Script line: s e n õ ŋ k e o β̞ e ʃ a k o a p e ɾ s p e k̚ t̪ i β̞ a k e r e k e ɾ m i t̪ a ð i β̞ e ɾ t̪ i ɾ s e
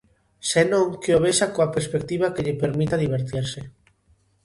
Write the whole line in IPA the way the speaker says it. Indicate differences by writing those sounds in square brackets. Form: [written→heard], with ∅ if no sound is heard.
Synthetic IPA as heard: s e n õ ŋ k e o β̞ e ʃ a k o a p e ɾ s p e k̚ t̪ i β̞ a k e [r→ʎ] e [k→p] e ɾ m i t̪ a ð i β̞ e ɾ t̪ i ɾ s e

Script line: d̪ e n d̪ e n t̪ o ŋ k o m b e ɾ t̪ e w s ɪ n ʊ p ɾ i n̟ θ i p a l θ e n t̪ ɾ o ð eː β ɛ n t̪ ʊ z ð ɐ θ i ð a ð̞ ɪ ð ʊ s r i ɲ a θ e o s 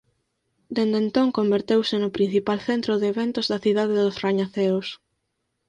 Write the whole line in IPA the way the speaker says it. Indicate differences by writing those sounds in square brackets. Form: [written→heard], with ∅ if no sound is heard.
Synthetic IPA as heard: d̪ e n d̪ e n t̪ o ŋ k o m b e ɾ t̪ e w s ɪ n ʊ p ɾ i n̟ θ i p a l θ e n t̪ ɾ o ð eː β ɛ n t̪ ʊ z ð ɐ θ i ð a ð̞ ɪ ð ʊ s r [i→a] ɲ a θ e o s

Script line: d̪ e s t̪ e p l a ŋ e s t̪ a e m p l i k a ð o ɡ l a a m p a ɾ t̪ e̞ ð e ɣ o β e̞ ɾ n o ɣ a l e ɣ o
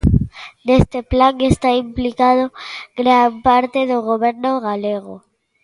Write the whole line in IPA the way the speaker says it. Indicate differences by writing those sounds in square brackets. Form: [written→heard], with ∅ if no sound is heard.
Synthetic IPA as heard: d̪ e s t̪ e p l a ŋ e s t̪ a [e→i] m p l i k a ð o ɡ [l→ɾ] a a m p a ɾ t̪ e̞ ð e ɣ o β e̞ ɾ n o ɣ a l e ɣ o

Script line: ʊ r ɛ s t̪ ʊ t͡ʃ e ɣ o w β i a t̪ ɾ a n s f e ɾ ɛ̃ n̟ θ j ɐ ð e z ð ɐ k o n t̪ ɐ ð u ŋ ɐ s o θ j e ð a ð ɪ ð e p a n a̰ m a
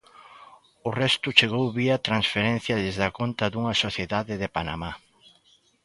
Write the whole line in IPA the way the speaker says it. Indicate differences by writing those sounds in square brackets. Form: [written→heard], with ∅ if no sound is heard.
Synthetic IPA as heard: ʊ r ɛ s t̪ ʊ t͡ʃ e ɣ o w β i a t̪ ɾ a n s f e ɾ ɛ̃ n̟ θ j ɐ ð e z ð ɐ k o n t̪ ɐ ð u ŋ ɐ s o θ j e ð a ð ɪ ð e p a n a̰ m a

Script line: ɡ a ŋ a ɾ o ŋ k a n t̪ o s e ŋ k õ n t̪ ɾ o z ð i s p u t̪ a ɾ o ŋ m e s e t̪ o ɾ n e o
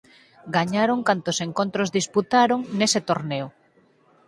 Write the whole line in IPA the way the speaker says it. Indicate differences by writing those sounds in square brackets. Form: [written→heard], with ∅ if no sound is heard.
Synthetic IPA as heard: ɡ a [ŋ→ɲ] a ɾ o ŋ k a n t̪ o s e ŋ k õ n t̪ ɾ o z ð i s p u t̪ a ɾ o ŋ [m→n] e s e t̪ o ɾ n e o

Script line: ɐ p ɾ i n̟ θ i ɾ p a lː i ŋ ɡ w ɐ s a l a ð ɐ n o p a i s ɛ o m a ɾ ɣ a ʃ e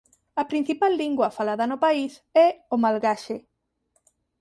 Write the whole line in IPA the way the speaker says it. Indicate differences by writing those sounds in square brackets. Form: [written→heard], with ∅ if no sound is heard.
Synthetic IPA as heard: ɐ p ɾ i n̟ θ i [ɾ→∅] p a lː i ŋ ɡ w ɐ [s→f] a l a ð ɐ n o p a i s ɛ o m a [ɾ→l] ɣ a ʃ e

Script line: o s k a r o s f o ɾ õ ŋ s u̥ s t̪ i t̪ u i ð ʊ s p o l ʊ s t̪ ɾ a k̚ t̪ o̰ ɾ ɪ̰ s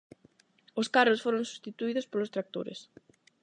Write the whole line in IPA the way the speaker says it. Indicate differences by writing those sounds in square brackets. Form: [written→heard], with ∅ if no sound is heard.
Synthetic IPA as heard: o s k a r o s f o ɾ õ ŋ s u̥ s t̪ i t̪ u i ð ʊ s p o l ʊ s t̪ ɾ a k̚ t̪ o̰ ɾ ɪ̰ s

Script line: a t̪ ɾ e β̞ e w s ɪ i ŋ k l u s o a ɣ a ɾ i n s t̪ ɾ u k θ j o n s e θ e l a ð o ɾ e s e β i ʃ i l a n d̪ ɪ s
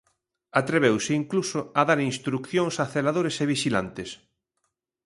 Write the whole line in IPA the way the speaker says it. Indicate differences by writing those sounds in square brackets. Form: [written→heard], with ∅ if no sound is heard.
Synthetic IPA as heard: a t̪ ɾ e β̞ e w s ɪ i ŋ k l u s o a [ɣ→ð] a ɾ i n s t̪ ɾ u k θ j o [n→ŋ] s [e→a] θ e l a ð o ɾ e s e β i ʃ i l a n [d̪→t̪] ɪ s

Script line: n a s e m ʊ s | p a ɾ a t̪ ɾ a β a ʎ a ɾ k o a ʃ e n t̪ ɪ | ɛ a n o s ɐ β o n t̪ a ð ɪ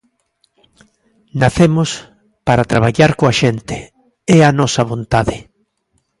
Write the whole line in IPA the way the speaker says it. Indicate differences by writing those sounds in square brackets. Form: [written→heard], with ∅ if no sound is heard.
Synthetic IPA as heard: n a [s→θ] e m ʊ s | p a ɾ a t̪ ɾ a β a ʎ a ɾ k o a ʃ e n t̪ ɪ | ɛ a n [o→ɔ] s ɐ β o n t̪ a ð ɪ

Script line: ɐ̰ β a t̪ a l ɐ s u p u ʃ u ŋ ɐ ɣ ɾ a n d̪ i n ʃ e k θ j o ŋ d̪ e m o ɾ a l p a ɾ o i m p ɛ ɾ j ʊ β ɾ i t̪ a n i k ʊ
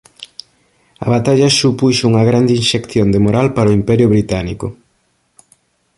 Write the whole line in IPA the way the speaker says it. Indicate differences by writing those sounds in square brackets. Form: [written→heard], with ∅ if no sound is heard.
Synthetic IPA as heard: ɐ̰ β a t̪ a [l→ʎ] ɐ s u p u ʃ u ŋ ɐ ɣ ɾ a n d̪ i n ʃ e k θ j o [ŋ→n] d̪ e m o ɾ a l p a ɾ o i m p ɛ ɾ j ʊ β ɾ i t̪ a n i k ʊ

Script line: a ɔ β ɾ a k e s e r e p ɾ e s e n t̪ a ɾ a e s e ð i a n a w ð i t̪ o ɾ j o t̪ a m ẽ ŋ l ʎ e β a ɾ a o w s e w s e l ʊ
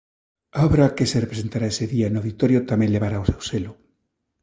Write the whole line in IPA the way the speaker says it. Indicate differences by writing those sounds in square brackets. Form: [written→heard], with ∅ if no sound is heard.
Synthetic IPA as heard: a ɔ β ɾ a k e s e r e p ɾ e s e n t̪ a ɾ a e s e ð i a n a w ð i t̪ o ɾ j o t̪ a m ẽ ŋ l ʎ e β a ɾ a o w s e w s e l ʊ

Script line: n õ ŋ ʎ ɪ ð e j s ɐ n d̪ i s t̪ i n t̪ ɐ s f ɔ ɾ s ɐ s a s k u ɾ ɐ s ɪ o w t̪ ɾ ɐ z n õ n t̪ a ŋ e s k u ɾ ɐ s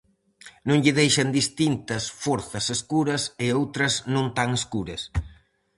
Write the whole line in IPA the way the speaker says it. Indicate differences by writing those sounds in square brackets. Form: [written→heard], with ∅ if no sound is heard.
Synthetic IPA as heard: n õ ŋ ʎ ɪ ð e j [s→ʃ] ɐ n d̪ i s t̪ i n t̪ ɐ s f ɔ ɾ [s→θ] ɐ s [a→e] s k u ɾ ɐ s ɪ o w t̪ ɾ ɐ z n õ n t̪ a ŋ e s k u ɾ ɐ s

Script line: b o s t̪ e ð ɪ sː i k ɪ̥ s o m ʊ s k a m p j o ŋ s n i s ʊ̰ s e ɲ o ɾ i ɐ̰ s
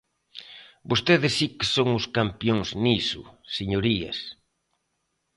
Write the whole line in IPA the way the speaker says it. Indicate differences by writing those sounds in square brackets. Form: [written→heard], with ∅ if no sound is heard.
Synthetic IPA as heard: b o s t̪ e ð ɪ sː i k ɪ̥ s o [m→ŋ] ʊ s k a m p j o ŋ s n i s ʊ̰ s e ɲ o ɾ i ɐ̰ s

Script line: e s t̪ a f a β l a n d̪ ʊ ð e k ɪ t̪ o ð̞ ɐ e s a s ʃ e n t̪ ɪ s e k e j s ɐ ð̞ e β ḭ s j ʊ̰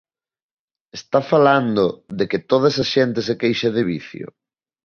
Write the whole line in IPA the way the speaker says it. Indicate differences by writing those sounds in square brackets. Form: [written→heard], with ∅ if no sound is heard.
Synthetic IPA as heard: e s t̪ a f a [β→∅] l a n d̪ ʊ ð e k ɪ t̪ o ð̞ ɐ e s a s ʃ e n t̪ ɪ s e k e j [s→ʃ] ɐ ð̞ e β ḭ [s→θ] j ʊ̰

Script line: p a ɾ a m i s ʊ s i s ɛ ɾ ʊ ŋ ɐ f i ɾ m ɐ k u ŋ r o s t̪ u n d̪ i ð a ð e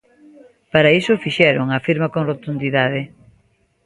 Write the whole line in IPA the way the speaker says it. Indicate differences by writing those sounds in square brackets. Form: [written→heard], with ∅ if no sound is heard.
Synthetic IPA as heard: p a ɾ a [m→∅] i s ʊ [s→f] i [s→ʃ] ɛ ɾ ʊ ŋ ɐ f i ɾ m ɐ k [u→o] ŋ r o [s→∅] t̪ u n d̪ i ð a ð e

